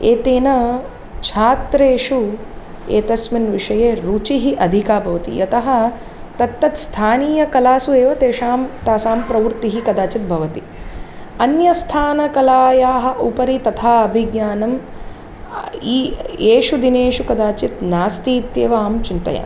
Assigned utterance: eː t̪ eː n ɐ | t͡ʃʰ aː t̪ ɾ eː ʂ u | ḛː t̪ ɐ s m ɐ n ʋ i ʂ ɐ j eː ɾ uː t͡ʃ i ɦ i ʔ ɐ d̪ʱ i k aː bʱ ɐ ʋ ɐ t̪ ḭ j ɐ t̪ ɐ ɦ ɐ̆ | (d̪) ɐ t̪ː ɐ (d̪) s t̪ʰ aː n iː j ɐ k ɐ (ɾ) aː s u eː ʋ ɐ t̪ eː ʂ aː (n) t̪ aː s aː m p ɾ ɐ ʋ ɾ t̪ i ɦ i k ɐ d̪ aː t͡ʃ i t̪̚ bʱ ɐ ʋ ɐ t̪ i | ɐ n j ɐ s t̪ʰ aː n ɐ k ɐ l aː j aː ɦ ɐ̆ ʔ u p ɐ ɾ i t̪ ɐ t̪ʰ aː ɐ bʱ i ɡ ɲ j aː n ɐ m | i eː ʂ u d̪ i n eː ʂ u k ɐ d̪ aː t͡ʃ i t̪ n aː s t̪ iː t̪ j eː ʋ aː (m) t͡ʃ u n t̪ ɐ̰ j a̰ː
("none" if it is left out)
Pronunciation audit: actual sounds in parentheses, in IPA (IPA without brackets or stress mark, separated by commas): t̪, t̪, l, m, m